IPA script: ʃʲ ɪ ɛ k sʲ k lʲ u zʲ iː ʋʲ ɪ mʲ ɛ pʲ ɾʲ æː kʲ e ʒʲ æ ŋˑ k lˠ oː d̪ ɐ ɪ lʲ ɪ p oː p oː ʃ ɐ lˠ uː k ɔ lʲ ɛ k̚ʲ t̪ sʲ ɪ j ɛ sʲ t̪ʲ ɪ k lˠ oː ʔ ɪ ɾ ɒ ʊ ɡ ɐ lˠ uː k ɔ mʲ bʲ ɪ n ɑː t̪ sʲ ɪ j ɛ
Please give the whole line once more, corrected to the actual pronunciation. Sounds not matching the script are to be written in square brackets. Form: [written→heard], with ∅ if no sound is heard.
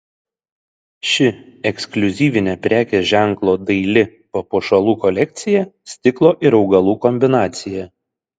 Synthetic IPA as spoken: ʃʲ ɪ ɛ k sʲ k lʲ [u→ʊ] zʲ iː ʋʲ ɪ [mʲ→nʲ] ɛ pʲ ɾʲ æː kʲ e ʒʲ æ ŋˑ k lˠ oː d̪ ɐ ɪ lʲ ɪ p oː p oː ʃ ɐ lˠ uː k ɔ lʲ ɛ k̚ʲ t̪ sʲ ɪ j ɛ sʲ t̪ʲ ɪ k lˠ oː ʔ ɪ ɾ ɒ ʊ ɡ ɐ lˠ uː k ɔ mʲ bʲ ɪ n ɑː t̪ sʲ ɪ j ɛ